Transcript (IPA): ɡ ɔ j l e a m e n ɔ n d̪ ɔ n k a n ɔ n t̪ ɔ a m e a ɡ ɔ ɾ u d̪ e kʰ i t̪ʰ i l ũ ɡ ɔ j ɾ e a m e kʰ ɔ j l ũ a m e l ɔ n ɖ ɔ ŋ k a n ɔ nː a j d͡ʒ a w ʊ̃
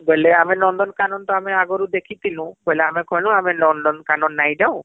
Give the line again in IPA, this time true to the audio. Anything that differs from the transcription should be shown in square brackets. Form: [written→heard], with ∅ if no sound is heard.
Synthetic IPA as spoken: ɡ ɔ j l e a m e n ɔ n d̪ ɔ n k a n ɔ n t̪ ɔ a m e a ɡ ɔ ɾ u d̪ e kʰ i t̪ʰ i l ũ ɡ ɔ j [ɾ→l] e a m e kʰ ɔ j l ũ a m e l ɔ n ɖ ɔ [ŋ→n] k a n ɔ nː a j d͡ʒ a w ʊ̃